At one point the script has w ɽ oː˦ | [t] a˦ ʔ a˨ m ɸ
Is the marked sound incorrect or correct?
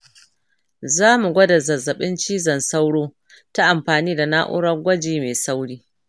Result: correct